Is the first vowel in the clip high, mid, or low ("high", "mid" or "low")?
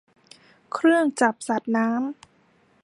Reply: high